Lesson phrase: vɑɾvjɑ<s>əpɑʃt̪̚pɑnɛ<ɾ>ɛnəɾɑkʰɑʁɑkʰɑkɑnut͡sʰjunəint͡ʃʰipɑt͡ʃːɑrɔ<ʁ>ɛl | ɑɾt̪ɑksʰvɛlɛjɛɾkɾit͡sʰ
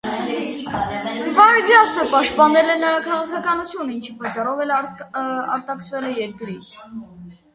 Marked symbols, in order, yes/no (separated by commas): yes, no, no